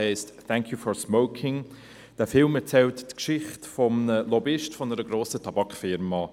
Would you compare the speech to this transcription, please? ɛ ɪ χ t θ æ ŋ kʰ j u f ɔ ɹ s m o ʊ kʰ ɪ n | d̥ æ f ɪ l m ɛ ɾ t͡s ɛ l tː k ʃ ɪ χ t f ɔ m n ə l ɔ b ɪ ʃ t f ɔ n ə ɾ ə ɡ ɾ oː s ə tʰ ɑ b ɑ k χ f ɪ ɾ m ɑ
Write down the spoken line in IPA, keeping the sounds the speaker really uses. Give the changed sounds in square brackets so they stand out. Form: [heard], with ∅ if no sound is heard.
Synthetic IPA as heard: ɛ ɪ [s] t θ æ ŋ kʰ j u f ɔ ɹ s m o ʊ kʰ ɪ [ŋ] | d̥ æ f ɪ l m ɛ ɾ t͡s ɛ l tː k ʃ ɪ χ t f ɔ m n ə l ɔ b ɪ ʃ t f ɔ n ə ɾ ə ɡ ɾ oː s ə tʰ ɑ b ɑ k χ f ɪ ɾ m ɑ